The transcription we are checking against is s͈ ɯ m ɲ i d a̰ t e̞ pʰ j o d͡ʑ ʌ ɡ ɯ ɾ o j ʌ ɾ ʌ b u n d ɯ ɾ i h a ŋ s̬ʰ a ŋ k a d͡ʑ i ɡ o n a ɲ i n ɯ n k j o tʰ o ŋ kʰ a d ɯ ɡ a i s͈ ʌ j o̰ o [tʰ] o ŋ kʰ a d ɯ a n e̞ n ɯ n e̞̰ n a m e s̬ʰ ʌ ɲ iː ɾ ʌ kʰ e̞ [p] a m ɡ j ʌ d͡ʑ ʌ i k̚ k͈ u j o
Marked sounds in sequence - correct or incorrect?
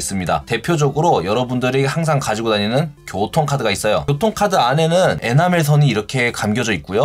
correct, incorrect: k

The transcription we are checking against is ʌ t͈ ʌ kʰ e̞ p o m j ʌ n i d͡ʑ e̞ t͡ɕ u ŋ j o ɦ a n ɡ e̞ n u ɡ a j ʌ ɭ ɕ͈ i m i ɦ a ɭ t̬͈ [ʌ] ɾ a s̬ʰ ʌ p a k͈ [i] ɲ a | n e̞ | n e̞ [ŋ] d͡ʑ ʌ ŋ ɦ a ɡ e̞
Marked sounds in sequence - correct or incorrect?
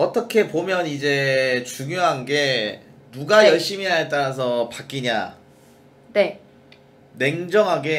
incorrect: a, correct, correct

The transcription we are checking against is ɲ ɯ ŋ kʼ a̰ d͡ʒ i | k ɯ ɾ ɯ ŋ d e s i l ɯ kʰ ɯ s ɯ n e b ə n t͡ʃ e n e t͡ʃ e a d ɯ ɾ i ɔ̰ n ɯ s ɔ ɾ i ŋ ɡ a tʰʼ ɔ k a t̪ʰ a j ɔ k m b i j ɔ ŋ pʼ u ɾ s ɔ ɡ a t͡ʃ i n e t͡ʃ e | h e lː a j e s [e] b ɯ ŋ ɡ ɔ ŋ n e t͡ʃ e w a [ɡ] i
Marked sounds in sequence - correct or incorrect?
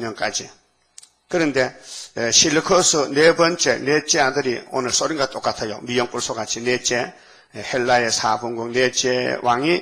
incorrect: a, incorrect: ŋ

